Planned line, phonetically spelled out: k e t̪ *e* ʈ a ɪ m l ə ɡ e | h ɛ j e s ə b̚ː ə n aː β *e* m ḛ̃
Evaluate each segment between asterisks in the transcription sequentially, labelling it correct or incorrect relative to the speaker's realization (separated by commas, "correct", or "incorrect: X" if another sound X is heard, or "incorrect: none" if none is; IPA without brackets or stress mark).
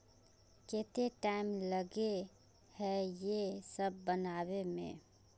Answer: correct, correct